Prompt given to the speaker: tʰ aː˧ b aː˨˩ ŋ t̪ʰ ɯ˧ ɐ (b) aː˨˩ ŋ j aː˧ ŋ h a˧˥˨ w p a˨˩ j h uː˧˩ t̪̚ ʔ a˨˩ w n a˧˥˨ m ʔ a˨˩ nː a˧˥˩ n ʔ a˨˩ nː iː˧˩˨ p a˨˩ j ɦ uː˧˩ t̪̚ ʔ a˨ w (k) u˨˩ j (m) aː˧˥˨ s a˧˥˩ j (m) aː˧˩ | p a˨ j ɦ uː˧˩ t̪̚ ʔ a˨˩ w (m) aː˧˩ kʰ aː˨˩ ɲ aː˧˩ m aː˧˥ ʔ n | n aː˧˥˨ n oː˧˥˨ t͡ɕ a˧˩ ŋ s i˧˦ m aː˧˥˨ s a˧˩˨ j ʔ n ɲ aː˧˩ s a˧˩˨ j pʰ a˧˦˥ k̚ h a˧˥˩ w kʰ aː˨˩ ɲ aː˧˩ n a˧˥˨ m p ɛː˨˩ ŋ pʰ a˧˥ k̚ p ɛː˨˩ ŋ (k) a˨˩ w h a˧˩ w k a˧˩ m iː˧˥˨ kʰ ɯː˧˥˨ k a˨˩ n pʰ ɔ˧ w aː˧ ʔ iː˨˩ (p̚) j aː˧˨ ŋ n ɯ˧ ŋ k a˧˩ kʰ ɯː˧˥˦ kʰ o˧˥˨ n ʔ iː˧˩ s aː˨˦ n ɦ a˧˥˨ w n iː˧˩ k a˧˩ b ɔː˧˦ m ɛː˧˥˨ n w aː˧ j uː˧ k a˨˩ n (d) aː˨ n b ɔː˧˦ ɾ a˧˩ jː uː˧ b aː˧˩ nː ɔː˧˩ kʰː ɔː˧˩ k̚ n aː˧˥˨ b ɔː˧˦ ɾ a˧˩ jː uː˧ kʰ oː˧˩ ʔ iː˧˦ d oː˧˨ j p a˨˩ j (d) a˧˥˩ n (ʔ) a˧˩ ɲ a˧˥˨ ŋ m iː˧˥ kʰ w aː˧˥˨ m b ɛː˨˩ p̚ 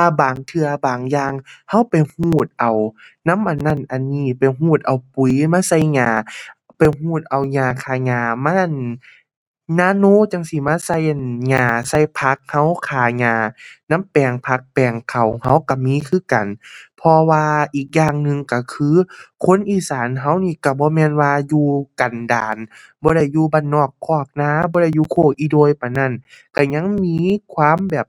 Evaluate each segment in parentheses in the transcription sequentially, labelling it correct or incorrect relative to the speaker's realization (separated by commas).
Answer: correct, incorrect, correct, incorrect, incorrect, incorrect, incorrect, correct, incorrect, incorrect